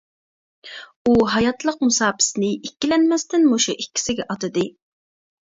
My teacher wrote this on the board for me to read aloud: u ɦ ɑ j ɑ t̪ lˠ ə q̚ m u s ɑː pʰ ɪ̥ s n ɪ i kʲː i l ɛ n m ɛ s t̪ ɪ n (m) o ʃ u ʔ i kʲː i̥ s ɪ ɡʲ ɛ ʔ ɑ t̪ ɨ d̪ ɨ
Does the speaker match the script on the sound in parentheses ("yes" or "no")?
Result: yes